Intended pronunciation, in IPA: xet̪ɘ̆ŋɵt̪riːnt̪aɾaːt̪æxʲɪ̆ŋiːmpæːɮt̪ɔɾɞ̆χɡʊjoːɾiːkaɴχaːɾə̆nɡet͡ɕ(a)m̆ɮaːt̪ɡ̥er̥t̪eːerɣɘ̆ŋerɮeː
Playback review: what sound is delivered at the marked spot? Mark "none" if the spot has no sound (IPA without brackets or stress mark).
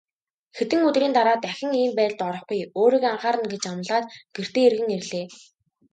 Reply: a